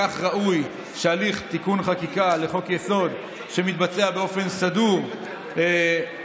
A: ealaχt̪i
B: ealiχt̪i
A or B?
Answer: B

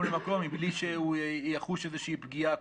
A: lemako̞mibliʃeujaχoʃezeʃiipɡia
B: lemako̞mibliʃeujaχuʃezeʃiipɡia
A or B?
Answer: B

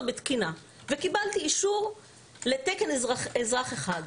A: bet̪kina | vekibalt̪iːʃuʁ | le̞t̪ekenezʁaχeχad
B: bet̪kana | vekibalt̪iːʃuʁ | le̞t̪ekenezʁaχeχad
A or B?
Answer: A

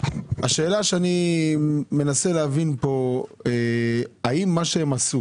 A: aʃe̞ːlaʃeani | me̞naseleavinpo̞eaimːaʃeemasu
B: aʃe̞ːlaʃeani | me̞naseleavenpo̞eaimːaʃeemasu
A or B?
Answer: A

